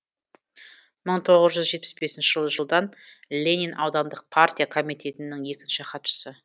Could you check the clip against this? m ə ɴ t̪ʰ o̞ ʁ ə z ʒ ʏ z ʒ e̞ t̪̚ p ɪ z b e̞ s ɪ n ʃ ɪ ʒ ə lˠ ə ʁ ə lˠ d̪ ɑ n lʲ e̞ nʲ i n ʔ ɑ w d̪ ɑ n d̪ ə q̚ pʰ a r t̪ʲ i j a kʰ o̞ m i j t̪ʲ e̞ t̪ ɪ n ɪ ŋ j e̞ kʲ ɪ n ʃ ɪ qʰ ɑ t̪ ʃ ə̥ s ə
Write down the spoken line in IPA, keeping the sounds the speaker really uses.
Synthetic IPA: m ə ɴ t̪ʰ o̞ ʁ ə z ʒ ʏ z ʒ e̞ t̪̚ p ɪ s b e̞ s ɪ n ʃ ɪ ʒ ə lˠ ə ʒ ə lˠ d̪ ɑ n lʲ e̞ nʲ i n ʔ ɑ w d̪ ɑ n d̪ ə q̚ pʰ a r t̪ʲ i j a kʰ o̞ m i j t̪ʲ e̞ t̪ ɪ n ɪ ŋ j e̞ kʲ ɪ n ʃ ɪ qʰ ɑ t̪ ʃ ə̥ s ə